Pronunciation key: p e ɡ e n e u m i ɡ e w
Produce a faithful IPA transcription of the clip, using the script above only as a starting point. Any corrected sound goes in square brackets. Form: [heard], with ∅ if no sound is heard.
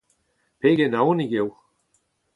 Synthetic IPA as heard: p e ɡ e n [a] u [n] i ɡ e w